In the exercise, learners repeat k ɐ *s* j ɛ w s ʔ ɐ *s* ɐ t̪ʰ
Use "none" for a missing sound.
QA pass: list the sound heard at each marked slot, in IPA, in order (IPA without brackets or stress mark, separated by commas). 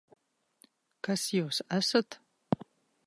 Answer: s, s